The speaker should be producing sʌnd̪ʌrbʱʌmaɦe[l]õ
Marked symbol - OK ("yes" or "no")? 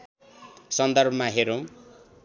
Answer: no